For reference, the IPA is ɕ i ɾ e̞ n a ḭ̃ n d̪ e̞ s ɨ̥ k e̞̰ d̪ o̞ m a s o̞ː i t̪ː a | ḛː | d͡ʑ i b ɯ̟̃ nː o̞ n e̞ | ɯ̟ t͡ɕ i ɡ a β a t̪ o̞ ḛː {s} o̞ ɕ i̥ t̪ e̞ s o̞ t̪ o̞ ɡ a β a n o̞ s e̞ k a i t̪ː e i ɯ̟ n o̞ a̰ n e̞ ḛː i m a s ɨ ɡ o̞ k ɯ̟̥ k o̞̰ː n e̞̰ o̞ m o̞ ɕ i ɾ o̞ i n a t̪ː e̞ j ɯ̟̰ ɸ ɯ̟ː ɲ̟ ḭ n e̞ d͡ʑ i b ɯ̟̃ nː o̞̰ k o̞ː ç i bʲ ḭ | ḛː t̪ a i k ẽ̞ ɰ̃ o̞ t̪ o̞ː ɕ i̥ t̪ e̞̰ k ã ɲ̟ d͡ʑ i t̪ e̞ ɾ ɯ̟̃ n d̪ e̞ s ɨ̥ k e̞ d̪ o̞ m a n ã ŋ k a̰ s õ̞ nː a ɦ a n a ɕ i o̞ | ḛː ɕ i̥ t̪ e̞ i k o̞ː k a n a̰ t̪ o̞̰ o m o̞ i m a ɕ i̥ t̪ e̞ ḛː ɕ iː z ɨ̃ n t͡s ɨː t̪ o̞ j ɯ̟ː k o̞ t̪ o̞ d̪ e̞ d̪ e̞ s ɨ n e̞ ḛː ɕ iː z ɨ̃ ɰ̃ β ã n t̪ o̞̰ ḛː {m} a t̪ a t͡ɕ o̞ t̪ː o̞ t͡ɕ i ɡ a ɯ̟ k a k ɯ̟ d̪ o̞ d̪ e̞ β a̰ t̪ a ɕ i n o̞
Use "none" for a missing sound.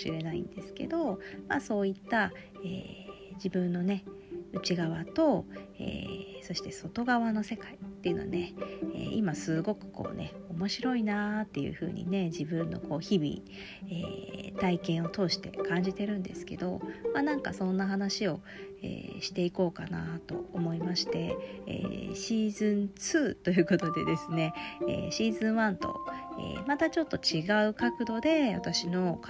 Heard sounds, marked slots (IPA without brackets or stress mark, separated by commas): s, m